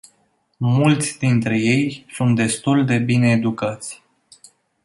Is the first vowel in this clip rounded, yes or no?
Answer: yes